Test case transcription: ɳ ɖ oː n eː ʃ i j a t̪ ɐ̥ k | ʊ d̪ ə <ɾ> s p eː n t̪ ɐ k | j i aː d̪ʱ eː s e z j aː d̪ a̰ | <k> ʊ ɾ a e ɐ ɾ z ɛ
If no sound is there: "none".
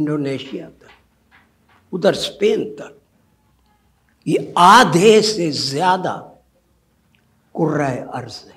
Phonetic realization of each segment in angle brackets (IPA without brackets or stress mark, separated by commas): ɾ, k